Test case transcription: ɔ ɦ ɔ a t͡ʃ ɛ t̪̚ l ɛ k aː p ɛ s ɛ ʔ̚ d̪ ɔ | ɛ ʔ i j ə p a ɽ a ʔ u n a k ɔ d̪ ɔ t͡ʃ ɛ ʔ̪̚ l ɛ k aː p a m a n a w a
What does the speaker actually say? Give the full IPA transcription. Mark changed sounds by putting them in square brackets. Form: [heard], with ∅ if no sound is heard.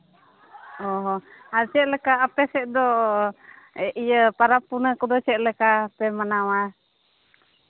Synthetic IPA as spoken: ɔ ɦ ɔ a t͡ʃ ɛ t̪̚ l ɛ k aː p ɛ s ɛ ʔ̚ d̪ ɔ | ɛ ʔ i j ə p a [ɾ] a [p] u n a k ɔ d̪ ɔ t͡ʃ ɛ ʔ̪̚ l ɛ k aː p [ɛ] m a n a w a